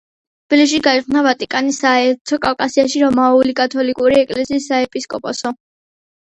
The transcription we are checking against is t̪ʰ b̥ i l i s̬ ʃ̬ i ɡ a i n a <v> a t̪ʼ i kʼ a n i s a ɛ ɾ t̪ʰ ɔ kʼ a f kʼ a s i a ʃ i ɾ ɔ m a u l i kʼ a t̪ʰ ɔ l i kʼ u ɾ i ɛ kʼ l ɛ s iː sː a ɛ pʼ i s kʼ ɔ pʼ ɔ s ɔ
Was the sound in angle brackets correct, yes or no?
yes